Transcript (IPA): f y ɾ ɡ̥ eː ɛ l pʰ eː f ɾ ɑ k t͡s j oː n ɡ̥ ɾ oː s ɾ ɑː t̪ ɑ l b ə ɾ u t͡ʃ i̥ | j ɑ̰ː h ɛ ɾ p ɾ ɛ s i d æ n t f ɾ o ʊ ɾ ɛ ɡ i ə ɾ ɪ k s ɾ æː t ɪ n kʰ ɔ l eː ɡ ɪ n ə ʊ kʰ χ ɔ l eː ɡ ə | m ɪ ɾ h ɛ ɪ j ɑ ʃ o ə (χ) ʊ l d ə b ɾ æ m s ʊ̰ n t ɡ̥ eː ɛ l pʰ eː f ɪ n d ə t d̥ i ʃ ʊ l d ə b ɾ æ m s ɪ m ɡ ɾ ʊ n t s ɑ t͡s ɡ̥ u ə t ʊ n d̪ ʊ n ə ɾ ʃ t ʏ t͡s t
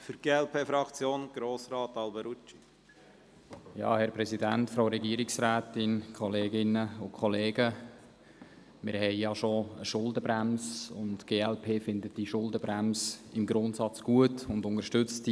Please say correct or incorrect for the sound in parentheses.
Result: incorrect: ʃ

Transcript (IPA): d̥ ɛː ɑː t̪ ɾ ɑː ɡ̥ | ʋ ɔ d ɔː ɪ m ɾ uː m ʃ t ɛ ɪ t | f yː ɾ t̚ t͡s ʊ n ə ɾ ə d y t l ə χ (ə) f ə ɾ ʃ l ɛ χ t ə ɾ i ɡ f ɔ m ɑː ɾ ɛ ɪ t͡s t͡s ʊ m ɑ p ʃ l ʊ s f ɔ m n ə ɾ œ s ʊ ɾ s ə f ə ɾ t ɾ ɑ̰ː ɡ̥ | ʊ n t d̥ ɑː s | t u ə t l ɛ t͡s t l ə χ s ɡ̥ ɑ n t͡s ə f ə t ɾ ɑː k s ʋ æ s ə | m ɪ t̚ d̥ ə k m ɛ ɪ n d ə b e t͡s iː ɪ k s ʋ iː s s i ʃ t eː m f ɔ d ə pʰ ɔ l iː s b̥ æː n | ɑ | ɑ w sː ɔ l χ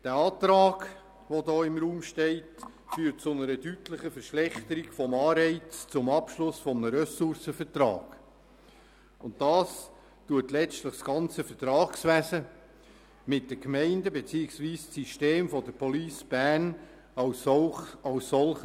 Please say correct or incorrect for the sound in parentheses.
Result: correct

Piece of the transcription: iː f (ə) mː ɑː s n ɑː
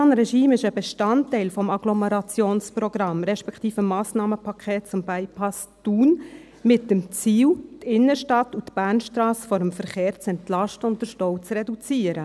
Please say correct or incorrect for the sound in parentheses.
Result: correct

